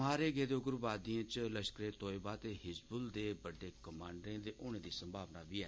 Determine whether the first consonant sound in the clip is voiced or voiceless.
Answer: voiced